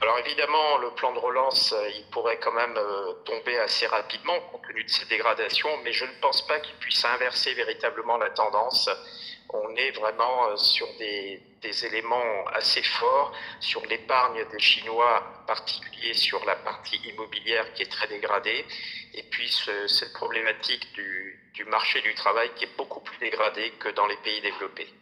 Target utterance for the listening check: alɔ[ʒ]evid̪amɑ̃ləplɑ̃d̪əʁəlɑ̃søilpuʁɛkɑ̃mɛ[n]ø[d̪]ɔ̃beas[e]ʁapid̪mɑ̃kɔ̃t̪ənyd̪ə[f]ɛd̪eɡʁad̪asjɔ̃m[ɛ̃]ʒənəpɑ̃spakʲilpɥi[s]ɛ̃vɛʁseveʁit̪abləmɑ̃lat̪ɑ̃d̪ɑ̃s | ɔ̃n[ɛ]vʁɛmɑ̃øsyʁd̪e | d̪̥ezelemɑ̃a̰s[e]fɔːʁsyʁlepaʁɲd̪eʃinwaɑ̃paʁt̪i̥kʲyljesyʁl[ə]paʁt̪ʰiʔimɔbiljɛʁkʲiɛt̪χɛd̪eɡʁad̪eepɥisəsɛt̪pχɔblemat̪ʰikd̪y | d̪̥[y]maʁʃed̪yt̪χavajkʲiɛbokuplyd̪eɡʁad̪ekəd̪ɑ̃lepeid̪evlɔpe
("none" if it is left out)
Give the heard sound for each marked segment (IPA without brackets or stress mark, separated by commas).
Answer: ʁ, m, t̪, e, s, ɛ, s, ɛ, e, a, y